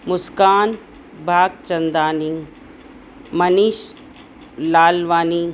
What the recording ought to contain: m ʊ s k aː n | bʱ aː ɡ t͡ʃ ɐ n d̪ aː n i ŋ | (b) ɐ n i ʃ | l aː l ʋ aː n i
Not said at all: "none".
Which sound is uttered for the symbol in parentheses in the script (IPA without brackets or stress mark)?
m